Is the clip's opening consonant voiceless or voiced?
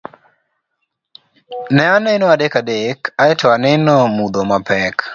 voiced